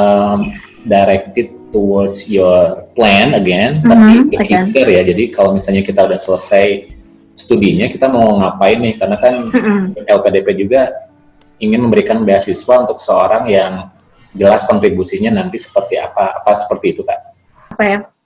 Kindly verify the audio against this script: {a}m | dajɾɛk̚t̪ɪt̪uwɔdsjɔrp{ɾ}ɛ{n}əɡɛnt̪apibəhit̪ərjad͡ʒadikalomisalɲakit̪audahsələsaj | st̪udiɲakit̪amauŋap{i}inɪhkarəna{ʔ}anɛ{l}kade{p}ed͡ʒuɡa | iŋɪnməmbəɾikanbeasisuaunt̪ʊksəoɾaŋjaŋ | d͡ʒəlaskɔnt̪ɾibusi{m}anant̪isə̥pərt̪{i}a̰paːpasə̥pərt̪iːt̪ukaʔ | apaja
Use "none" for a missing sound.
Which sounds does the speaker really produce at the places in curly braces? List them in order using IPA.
ə, l, n, a, k, l, p, ɲ, i

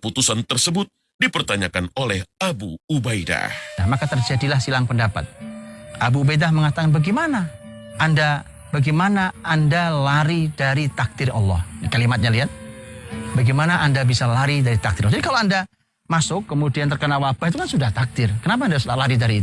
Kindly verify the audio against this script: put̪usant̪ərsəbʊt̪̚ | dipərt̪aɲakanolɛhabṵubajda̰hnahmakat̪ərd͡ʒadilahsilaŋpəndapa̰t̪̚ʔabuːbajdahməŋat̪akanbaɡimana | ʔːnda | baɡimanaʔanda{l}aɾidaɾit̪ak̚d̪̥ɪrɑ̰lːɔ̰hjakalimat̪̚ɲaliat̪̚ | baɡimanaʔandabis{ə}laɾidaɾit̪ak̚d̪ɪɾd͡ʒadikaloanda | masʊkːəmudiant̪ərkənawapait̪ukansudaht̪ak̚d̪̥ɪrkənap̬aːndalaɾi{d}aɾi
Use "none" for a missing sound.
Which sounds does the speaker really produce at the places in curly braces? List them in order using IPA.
l, a, d

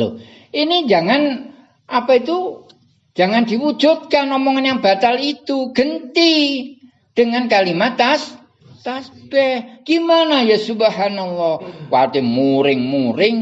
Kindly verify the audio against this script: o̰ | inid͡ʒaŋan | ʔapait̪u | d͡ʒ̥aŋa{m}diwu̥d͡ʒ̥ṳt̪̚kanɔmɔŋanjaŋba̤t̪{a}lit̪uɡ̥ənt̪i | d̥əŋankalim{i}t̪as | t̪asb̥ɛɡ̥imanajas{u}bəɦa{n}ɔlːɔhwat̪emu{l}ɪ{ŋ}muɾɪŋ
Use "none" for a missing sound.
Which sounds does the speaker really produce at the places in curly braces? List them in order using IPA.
n, a, a, u, n, ɾ, ŋ

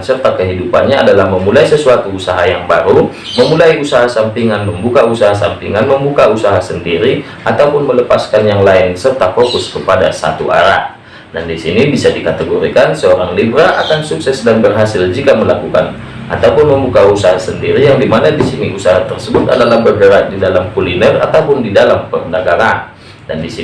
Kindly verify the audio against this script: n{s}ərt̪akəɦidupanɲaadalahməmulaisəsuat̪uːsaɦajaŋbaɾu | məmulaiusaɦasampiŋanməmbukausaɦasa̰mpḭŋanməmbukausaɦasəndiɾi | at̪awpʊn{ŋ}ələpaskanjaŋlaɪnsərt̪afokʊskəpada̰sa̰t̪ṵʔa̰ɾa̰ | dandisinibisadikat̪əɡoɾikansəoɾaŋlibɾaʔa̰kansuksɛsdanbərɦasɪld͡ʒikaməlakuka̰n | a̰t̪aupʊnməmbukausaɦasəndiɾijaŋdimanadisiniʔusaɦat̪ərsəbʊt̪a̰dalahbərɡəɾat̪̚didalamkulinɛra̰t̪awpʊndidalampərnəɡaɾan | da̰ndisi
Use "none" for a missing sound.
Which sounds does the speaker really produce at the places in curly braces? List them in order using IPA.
s, m

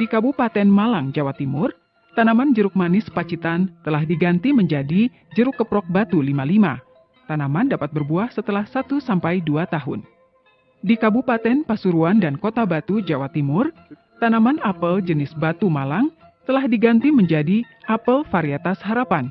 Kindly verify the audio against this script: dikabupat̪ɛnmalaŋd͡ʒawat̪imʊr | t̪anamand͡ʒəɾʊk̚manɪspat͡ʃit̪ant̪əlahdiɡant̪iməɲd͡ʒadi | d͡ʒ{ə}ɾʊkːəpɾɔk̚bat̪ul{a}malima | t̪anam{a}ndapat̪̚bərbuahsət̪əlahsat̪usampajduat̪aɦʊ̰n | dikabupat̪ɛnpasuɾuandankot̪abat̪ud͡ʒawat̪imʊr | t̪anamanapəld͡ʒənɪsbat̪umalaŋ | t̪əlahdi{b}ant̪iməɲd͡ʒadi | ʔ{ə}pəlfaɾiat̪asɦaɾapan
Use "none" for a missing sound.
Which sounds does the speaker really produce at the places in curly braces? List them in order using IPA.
ə, i, a, ɡ, a

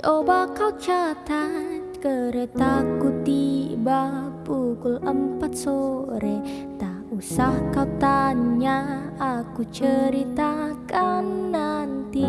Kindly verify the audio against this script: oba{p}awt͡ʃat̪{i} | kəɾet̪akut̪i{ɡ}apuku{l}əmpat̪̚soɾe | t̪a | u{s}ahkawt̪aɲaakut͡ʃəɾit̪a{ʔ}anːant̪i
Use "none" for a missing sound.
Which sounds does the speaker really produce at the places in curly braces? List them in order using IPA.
k, a, b, l, s, k

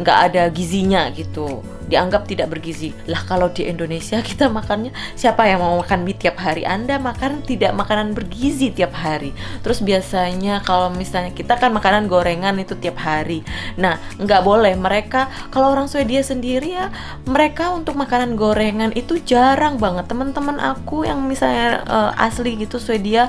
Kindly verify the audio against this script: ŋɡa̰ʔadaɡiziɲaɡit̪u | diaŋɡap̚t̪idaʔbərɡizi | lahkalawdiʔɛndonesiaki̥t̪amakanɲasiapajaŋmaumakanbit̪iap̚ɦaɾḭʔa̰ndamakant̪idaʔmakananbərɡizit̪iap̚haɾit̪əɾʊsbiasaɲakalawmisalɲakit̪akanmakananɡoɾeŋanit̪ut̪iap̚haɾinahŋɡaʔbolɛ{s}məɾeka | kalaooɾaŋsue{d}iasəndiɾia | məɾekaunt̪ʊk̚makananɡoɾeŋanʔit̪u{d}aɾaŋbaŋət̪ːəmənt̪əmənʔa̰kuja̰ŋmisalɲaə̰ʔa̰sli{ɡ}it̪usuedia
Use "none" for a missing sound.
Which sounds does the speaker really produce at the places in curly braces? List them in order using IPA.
h, d, d͡ʒ, ɡ

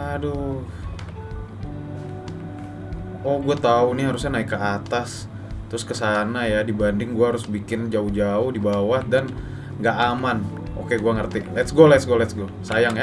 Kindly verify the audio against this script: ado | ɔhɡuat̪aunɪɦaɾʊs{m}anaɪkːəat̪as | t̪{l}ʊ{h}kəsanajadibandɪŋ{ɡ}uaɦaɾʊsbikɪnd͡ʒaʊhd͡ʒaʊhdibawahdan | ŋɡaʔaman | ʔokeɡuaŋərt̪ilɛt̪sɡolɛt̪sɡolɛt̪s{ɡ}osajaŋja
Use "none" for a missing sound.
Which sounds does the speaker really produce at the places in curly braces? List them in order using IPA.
ɲ, ɾ, s, ɡ, ɡ

